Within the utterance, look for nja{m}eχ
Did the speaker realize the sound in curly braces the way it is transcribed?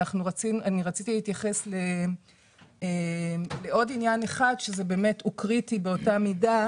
no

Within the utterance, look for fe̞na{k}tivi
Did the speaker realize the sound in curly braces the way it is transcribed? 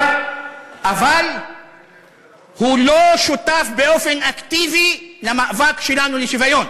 yes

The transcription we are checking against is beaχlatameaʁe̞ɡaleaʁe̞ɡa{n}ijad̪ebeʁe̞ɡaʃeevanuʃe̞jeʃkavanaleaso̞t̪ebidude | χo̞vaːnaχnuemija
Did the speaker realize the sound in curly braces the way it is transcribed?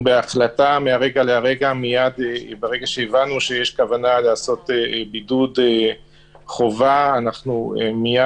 no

